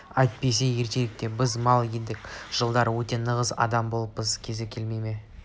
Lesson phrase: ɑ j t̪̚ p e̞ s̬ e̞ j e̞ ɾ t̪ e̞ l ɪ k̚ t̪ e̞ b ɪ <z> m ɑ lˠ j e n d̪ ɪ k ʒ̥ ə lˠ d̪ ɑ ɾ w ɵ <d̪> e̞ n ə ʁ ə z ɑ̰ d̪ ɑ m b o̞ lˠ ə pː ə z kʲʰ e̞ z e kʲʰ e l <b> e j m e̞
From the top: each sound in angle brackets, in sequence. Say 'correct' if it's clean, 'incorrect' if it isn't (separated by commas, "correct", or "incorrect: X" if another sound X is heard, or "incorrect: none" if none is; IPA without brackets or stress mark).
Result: correct, incorrect: t̪, incorrect: m